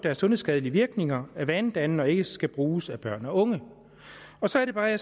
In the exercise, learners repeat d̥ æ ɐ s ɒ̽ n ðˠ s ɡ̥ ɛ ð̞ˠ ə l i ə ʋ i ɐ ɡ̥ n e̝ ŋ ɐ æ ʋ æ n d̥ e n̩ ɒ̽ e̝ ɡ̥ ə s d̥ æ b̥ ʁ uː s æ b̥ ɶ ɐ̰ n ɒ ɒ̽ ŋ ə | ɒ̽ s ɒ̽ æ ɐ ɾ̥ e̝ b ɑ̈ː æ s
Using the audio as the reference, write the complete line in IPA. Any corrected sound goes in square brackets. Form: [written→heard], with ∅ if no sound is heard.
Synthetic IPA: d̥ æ ɐ s [ɒ̽→ɔ̽] n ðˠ s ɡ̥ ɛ ð̞ˠ ə l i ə ʋ i ɐ ɡ̥ n e̝ ŋ ɐ æ ʋ æ n d̥ [e→æ] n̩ ɒ̽ e̝ ɡ̥ ə s [d̥→ɡ̥] æ b̥ ʁ uː s æ b̥ ɶ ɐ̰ n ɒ [ɒ̽→ɔ̽] ŋ ə | ɒ̽ s ɒ̽ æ ɐ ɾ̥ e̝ b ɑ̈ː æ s